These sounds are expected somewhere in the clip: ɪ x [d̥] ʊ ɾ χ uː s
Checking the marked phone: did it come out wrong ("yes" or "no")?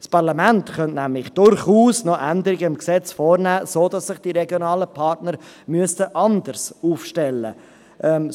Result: no